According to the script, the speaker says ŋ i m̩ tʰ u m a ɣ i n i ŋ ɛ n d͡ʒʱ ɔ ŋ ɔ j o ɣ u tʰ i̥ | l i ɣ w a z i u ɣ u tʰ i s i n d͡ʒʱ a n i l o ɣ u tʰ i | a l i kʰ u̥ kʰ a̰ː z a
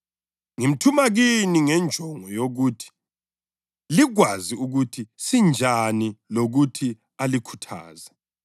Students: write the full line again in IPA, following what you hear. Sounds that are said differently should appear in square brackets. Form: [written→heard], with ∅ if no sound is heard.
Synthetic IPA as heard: ŋ i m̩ tʰ u m a ɣ i n i ŋ ɛ n d͡ʒʱ ɔ ŋ ɔ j o ɣ u tʰ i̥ | l i ɣ w a z i u ɣ u tʰ i s i n d͡ʒʱ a n i l o ɣ u tʰ i | a l i kʰ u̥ [kʰ→tʰ] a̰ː z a

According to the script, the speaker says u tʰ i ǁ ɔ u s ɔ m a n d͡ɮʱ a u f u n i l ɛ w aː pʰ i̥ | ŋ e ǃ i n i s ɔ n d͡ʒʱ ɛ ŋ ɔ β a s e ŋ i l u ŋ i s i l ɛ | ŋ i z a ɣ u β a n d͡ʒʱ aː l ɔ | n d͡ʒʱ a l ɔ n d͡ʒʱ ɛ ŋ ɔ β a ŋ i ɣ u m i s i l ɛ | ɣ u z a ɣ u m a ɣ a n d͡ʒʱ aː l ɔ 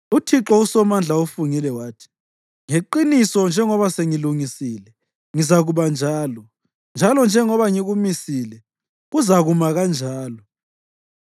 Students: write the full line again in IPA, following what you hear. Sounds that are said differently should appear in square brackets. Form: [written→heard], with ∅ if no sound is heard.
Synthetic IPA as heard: u tʰ i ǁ ɔ u s ɔ m a n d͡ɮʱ a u f u [n→ŋ] i l ɛ w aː [pʰ→tʰ] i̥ | ŋ e ǃ i n i s ɔ n d͡ʒʱ ɛ ŋ ɔ β a s e ŋ i l u ŋ i s i l ɛ | ŋ i z a ɣ u β a n d͡ʒʱ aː l ɔ | n d͡ʒʱ a l ɔ n d͡ʒʱ ɛ ŋ ɔ β a ŋ i ɣ u m i s i l ɛ | ɣ u z a ɣ u m a ɣ a n d͡ʒʱ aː l ɔ

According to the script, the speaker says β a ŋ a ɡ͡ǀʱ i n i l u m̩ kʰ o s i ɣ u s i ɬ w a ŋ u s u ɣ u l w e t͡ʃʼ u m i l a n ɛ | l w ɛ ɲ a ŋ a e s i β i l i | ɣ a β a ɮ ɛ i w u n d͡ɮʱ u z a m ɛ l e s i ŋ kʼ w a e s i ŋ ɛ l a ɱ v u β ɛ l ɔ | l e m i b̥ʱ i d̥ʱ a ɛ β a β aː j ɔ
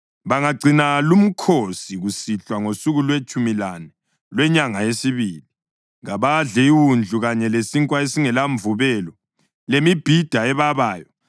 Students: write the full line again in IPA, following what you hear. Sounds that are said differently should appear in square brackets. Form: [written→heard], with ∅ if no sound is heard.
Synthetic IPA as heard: β a ŋ a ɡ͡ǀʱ i n [i→a] l u m̩ kʰ o s i ɣ u s i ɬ w a ŋ [u→o] s u ɣ u l w e t͡ʃʼ u m i l a n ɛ | l w ɛ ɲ a ŋ a e s i β i l i | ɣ a β a ɮ ɛ i w u n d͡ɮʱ u [z→ɣ] a [m→ɲ] ɛ l e s i ŋ kʼ w a e s i ŋ ɛ l a ɱ v u β ɛ l ɔ | l e m i b̥ʱ i d̥ʱ a ɛ β a β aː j ɔ

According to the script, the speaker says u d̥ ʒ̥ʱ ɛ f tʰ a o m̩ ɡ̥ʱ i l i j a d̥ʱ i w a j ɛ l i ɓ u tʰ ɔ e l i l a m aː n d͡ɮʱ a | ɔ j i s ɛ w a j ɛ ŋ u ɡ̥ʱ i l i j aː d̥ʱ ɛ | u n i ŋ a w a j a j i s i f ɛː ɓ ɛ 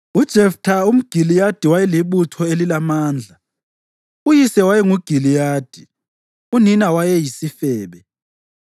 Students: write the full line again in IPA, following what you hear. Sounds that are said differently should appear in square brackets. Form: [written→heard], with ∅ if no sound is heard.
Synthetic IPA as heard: u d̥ ʒ̥ʱ ɛ f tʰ a [o→u] m̩ ɡ̥ʱ i l i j a d̥ʱ i w a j ɛ l i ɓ u tʰ ɔ e l i l a m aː n d͡ɮʱ a | [ɔ→u] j i s ɛ w a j ɛ ŋ u ɡ̥ʱ i l i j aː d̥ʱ [ɛ→i] | u n i [ŋ→n] a w a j [a→ɛ] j i s i f ɛː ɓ ɛ

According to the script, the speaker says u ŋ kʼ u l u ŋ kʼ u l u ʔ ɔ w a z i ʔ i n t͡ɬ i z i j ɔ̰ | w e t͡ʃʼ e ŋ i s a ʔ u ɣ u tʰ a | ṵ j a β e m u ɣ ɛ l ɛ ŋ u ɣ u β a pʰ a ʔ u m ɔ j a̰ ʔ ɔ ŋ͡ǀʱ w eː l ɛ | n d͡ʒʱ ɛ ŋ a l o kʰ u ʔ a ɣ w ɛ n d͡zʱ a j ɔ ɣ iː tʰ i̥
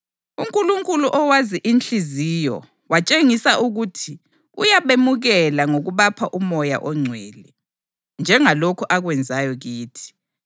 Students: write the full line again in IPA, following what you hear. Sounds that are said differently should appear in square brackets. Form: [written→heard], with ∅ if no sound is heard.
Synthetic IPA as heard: u ŋ kʼ u l u ŋ kʼ u l u ʔ ɔ w a z i ʔ i n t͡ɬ i z i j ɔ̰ | w [e→a] t͡ʃʼ e ŋ i s a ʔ u ɣ u tʰ [a→i] | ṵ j a β e m u ɣ ɛ l [ɛ→a] ŋ [u→o] ɣ u β a pʰ a ʔ u m ɔ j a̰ ʔ ɔ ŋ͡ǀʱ w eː l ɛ | n d͡ʒʱ ɛ ŋ a l o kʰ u ʔ a ɣ w ɛ n d͡zʱ a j ɔ ɣ iː tʰ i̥

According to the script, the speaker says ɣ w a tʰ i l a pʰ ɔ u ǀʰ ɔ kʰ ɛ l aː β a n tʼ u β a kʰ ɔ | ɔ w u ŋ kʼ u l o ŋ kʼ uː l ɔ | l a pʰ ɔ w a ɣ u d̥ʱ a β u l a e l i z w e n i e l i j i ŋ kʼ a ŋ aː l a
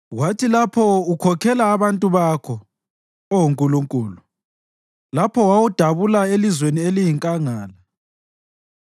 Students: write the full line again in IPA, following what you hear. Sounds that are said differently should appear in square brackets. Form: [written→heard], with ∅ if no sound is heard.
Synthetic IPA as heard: ɣ w a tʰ i l a pʰ ɔ u [ǀʰ→kʰ] ɔ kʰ ɛ l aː β a n tʼ u β a kʰ ɔ | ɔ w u ŋ kʼ u l [o→u] ŋ kʼ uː l [ɔ→u] | l a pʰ ɔ w a [ɣ→w] u d̥ʱ a β u l a e l i z w e n i e l i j i ŋ kʼ a ŋ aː l a

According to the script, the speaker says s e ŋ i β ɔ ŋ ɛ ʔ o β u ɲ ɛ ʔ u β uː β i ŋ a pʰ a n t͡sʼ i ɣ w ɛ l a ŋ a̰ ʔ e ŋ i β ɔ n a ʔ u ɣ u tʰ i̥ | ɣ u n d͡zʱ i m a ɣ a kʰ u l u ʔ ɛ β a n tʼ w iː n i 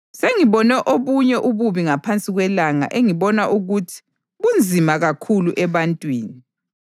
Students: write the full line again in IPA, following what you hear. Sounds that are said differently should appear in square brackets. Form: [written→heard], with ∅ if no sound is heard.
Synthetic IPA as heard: s e ŋ i β ɔ [ŋ→n] ɛ ʔ o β u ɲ ɛ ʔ u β [uː→u] β i ŋ a pʰ a n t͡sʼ i ɣ w ɛ l a ŋ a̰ ʔ e ŋ i β ɔ n a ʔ u ɣ u tʰ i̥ | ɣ u n d͡zʱ i m a ɣ a kʰ u l u ʔ ɛ β a n tʼ w iː n i

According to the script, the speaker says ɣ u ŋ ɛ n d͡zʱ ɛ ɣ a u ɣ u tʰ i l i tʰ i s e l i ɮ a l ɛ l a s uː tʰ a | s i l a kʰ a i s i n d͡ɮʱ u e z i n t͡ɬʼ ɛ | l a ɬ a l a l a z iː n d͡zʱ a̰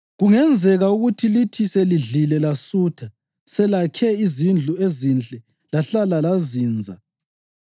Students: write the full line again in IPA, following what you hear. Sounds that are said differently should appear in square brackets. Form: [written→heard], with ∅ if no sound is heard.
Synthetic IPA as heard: ɣ u ŋ ɛ n d͡zʱ ɛ ɣ a u ɣ u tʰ i l i tʰ i s e l i ɮ [a→i] l ɛ l a s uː tʰ a | s [i→ɛ] l a kʰ [a→ɛ] i [s→z] i n d͡ɮʱ u e z i n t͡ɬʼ ɛ | l a ɬ a l a l a z iː n d͡zʱ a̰

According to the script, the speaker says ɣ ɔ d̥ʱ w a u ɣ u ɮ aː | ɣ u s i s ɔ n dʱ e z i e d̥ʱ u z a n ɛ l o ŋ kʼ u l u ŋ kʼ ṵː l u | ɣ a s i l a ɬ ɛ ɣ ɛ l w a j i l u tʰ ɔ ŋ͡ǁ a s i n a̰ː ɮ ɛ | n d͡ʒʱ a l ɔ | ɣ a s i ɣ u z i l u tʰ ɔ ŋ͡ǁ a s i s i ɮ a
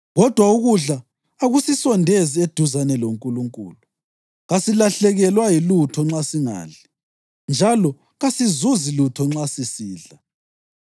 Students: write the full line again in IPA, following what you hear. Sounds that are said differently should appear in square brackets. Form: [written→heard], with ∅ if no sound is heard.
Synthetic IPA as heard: ɣ ɔ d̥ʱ w a u ɣ u ɮ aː | ɣ u s i s ɔ n dʱ e z i e d̥ʱ u z a n ɛ l o ŋ kʼ u l u ŋ kʼ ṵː l u | ɣ a s i l a ɬ ɛ ɣ ɛ l w a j i l u tʰ ɔ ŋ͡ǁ a s i [n→ŋ] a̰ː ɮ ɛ | n d͡ʒʱ a l ɔ | ɣ a s i [ɣ→z] u z i l u tʰ ɔ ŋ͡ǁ a s i s [i→iː] ɮ a

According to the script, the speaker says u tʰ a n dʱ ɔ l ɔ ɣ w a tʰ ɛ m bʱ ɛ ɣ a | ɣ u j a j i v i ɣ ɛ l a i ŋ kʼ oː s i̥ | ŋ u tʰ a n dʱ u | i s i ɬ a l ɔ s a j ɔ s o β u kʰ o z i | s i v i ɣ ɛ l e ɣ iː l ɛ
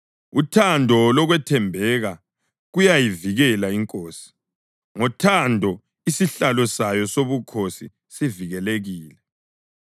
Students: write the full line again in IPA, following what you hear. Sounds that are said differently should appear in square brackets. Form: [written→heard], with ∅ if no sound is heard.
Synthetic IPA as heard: u tʰ a n dʱ ɔ l ɔ ɣ w [a→ɛ] tʰ ɛ m bʱ ɛ ɣ a | ɣ u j a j i v i ɣ ɛ l a i ŋ kʼ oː s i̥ | ŋ [u→ɔ] tʰ a n dʱ [u→ɔ] | i s i ɬ a l ɔ s a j ɔ s o β u kʰ o [z→s] i | s i v i ɣ ɛ l e ɣ iː l ɛ

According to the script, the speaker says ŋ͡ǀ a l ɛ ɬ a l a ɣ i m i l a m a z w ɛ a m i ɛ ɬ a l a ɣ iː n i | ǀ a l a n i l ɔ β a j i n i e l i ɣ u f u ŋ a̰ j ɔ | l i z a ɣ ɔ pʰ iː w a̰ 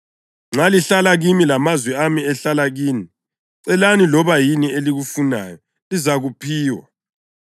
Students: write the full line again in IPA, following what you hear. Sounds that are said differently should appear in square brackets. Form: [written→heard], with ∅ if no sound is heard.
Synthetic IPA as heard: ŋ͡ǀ a l [ɛ→i] ɬ a l a ɣ i m i l a m a z w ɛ a m i ɛ ɬ a l a ɣ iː n i | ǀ [a→ɛ] l a n i l ɔ β a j i n i e l i ɣ u f u [ŋ→n] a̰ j ɔ | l i z a ɣ [ɔ→u] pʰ iː w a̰

